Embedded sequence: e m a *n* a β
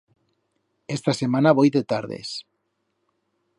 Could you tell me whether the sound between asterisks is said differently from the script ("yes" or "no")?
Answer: no